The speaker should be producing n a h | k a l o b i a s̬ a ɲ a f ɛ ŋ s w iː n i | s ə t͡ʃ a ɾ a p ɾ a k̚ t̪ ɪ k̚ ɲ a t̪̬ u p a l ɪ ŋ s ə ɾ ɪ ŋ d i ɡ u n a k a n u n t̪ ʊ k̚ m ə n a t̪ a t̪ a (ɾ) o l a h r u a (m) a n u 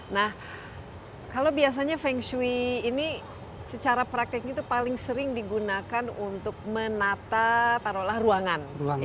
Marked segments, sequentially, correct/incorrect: correct, incorrect: ŋ

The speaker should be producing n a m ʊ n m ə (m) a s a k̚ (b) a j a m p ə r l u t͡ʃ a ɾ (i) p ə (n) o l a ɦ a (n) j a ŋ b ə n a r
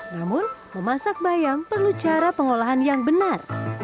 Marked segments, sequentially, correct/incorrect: correct, correct, incorrect: a, incorrect: ŋ, correct

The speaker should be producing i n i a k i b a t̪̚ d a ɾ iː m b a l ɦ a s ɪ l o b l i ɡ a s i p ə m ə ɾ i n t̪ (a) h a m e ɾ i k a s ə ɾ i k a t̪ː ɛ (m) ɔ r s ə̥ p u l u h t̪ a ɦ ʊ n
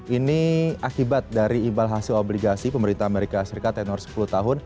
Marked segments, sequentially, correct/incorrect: correct, incorrect: n

